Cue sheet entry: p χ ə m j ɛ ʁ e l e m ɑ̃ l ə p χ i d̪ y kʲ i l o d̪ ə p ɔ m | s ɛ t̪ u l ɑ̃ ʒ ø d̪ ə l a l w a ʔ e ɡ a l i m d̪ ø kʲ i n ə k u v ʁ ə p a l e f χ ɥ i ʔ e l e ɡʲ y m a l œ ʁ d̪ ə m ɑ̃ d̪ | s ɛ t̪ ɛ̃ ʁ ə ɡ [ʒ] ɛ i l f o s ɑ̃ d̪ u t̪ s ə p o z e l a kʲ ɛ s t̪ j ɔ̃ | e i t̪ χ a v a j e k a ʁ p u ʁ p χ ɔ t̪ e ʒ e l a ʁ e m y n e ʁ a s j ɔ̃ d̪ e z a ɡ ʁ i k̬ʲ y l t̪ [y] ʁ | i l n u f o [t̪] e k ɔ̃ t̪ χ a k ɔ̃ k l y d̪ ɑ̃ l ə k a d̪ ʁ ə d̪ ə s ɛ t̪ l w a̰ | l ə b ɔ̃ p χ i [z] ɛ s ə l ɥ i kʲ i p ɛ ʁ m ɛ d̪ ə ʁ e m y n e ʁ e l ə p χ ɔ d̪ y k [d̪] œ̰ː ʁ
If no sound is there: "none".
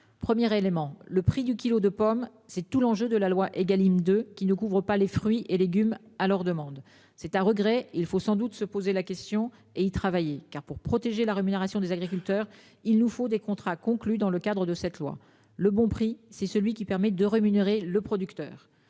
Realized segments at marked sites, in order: ʁ, œ, d̪, s, t̪

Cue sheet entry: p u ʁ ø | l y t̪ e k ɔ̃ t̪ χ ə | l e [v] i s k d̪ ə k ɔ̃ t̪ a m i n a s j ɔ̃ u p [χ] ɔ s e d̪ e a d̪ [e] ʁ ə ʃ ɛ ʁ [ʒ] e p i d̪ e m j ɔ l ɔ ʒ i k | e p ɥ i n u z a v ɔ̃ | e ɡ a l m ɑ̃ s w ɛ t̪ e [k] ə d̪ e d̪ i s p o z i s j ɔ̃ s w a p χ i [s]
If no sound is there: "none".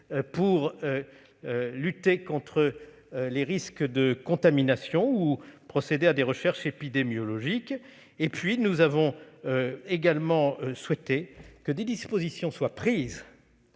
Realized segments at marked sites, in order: ʁ, χ, e, ʃ, k, z

